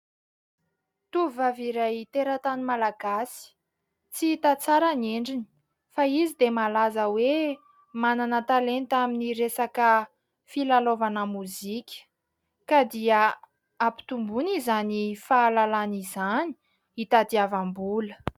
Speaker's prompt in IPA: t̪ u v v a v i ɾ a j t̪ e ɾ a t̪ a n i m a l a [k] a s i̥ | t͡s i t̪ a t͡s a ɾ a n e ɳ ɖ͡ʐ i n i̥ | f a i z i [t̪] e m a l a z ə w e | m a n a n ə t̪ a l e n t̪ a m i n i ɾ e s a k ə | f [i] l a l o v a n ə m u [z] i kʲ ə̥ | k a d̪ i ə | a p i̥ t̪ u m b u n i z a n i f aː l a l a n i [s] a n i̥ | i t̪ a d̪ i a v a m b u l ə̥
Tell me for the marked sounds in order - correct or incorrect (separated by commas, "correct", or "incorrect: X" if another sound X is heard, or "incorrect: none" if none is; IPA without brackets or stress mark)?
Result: incorrect: ɡ, incorrect: d̪, correct, correct, incorrect: z